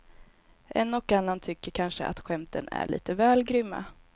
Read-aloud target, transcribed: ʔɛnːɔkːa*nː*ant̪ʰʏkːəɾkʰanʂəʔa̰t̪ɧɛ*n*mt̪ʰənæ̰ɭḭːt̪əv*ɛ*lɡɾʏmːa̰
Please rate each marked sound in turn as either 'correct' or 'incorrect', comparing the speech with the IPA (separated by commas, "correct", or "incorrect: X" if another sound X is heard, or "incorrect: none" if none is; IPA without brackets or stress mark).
correct, incorrect: none, incorrect: ɛː